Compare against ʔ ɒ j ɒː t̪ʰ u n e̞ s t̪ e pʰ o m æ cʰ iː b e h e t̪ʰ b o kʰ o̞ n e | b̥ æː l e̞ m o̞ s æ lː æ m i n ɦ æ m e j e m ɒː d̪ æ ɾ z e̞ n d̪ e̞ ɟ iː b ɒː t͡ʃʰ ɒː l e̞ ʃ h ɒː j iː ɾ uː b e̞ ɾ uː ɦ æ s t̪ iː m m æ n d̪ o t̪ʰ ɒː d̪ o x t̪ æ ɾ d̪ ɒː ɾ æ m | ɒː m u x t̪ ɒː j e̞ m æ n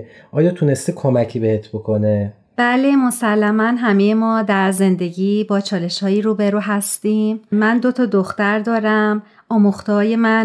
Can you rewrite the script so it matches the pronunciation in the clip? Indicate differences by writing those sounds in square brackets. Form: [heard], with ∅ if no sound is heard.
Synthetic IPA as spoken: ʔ [ɒː] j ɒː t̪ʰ u n e̞ s t̪ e [kʰ] o m æ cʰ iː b e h e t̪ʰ b o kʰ o̞ n e | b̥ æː l e̞ m o̞ s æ lː æ m [æ] n ɦ æ m e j e m ɒː d̪ æ ɾ z e̞ n d̪ e̞ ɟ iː b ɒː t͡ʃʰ ɒː l e̞ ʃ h ɒː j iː ɾ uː b e̞ ɾ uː ɦ æ s t̪ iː m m æ n d̪ o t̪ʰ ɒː d̪ o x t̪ æ ɾ d̪ ɒː ɾ æ m | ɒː m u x t̪ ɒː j e̞ m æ n